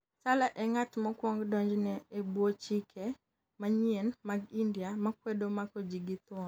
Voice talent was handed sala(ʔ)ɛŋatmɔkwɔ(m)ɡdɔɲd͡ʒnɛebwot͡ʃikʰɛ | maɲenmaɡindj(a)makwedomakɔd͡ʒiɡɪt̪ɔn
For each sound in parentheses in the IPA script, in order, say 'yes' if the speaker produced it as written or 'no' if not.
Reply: yes, no, yes

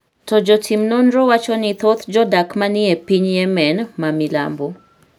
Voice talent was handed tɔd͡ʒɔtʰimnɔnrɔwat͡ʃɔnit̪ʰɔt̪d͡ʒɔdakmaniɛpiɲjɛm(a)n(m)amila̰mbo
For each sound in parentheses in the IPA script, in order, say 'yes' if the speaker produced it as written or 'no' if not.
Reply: no, yes

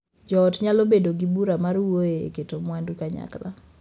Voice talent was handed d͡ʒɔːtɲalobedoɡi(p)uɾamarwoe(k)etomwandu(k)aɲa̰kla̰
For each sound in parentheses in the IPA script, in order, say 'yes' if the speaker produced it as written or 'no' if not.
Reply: no, yes, yes

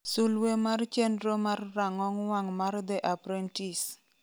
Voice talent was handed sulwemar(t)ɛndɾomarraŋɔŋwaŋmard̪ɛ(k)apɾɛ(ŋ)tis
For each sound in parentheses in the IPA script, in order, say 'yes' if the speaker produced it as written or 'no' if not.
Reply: no, no, no

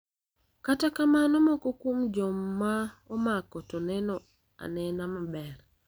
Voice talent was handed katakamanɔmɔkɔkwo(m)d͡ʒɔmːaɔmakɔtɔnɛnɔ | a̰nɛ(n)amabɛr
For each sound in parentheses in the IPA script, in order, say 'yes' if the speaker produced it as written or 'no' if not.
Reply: yes, yes

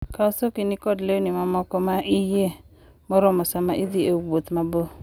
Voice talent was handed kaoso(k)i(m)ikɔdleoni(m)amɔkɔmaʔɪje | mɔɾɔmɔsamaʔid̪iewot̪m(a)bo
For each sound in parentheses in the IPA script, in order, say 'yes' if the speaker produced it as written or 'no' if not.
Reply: yes, no, yes, yes

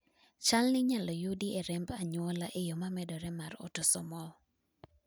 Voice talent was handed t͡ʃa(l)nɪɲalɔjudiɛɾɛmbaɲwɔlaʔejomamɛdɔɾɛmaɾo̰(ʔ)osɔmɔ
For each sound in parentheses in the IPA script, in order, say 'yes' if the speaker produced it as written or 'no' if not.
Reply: yes, no

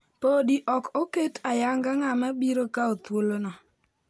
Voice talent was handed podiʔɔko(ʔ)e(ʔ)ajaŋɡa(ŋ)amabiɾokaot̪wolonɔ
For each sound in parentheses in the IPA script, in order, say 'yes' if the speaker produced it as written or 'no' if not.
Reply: no, no, yes

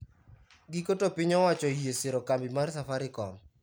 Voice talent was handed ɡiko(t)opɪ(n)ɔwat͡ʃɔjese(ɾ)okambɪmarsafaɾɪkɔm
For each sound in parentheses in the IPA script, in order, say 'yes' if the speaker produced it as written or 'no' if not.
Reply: yes, no, yes

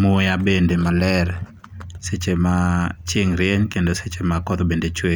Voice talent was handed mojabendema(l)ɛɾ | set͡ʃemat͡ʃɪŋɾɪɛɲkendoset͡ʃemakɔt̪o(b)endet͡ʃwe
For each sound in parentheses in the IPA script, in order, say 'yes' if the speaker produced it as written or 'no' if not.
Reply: yes, yes

